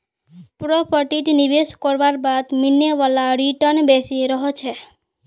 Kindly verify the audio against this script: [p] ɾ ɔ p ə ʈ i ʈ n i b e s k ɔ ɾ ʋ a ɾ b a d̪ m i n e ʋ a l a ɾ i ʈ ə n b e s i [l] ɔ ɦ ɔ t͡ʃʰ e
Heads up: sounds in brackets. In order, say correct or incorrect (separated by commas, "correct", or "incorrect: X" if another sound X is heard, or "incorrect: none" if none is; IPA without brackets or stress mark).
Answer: correct, incorrect: ɾ